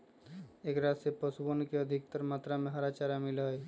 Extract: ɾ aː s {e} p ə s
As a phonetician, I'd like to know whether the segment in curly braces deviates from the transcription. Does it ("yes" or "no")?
no